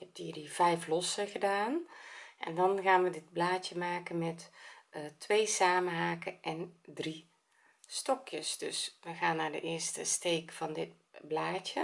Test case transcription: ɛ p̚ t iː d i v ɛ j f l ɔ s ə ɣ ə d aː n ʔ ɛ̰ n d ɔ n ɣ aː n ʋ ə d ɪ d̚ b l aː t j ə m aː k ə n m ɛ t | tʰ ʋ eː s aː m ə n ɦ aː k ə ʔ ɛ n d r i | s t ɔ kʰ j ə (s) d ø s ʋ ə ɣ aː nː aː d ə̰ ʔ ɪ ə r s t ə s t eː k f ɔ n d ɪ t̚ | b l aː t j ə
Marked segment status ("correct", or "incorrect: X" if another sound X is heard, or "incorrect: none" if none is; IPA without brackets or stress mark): correct